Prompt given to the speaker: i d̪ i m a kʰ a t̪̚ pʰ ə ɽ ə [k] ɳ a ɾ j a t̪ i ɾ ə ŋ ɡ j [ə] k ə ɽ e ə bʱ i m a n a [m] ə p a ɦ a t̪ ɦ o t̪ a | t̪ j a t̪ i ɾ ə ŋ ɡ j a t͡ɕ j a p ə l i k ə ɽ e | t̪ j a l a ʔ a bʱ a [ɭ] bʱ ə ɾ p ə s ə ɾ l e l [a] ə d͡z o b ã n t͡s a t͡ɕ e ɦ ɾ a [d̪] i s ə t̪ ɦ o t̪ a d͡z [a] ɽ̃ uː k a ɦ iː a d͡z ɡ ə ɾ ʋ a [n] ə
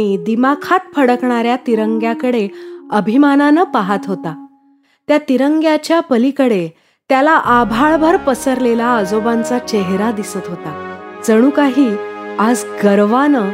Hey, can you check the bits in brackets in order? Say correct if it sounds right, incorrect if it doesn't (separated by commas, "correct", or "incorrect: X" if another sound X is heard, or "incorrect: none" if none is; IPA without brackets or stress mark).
correct, incorrect: a, incorrect: n, correct, correct, correct, incorrect: ə, correct